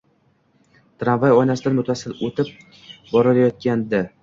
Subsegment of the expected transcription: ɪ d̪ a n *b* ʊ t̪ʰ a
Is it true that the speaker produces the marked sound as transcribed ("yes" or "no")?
no